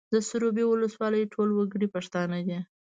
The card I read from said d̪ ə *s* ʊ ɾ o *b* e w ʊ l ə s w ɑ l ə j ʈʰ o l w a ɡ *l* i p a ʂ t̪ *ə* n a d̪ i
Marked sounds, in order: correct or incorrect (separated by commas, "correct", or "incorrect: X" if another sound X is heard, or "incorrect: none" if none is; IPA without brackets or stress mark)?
correct, correct, incorrect: ɽ, incorrect: ɑ